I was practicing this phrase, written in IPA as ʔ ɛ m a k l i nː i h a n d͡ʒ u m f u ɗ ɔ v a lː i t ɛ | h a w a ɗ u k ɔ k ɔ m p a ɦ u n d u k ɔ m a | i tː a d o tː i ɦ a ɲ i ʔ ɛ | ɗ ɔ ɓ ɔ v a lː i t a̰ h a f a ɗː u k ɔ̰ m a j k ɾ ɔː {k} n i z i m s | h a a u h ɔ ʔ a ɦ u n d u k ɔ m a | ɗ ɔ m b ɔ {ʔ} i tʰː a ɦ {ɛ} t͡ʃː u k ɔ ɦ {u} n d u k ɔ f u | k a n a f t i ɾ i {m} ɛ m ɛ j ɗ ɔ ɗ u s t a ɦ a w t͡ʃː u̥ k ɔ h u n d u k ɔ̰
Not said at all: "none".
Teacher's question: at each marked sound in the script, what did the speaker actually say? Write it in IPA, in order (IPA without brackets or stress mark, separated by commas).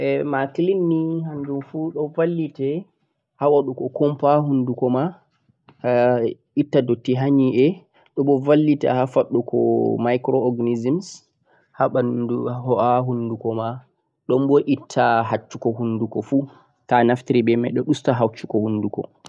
ɡ, ʔ, a, u, b